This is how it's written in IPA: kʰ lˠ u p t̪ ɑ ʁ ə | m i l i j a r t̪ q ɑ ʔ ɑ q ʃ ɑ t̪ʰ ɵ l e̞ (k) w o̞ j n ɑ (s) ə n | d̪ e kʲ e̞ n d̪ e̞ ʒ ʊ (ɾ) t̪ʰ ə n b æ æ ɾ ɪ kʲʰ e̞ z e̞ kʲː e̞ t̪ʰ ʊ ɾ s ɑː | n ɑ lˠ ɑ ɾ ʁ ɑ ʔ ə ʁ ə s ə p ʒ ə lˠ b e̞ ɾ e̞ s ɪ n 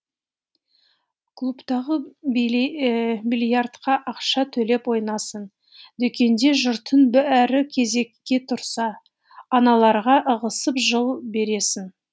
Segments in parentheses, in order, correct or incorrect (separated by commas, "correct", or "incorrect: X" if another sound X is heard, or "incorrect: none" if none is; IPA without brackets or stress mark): incorrect: p, correct, correct